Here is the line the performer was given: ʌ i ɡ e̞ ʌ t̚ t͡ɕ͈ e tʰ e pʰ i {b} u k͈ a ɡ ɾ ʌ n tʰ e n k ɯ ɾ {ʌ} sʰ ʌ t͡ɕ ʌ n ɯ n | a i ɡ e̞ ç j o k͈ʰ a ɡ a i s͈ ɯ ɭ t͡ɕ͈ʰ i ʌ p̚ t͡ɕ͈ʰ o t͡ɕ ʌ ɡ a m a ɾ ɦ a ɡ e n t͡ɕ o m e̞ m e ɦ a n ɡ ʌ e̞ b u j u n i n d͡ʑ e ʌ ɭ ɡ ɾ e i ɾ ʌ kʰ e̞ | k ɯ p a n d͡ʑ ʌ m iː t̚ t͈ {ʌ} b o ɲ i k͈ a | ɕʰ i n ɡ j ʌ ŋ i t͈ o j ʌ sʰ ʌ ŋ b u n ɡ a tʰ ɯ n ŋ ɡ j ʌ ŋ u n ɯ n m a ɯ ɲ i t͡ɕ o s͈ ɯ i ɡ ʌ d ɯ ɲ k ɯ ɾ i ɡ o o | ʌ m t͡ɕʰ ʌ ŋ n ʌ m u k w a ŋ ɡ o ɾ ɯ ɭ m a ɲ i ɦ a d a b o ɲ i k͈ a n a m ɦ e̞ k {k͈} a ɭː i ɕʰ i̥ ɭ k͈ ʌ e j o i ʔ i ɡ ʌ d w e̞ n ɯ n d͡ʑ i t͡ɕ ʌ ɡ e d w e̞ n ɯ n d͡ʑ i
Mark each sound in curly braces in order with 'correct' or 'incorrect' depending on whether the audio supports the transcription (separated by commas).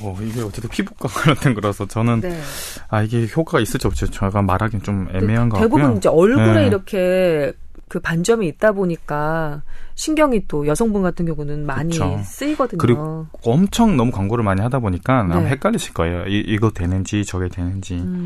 correct, correct, incorrect, correct